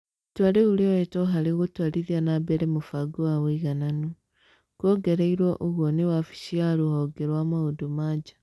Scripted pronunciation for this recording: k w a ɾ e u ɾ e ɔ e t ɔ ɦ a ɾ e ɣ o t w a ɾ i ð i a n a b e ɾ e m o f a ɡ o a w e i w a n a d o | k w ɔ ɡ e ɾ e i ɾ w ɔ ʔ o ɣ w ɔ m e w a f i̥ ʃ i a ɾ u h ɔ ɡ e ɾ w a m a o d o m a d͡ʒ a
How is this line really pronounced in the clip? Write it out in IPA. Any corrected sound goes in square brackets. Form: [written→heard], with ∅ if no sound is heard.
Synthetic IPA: [k→t] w a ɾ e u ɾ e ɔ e t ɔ ɦ a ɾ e ɣ o t w a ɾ i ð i a n a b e ɾ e m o f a ɡ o a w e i [w→ɣ] a n a [d→n] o | k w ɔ ɡ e ɾ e i ɾ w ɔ ʔ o ɣ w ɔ [m→n] e w a f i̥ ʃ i a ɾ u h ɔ ɡ e ɾ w a m a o d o m a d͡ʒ a